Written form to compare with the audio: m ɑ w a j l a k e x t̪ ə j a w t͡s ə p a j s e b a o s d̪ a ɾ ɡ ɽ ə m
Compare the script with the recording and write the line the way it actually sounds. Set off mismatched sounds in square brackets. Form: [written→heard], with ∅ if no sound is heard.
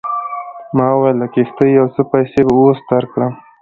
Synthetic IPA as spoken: m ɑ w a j l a k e x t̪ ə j a w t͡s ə p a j s e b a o s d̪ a ɾ [ɡ→k] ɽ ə m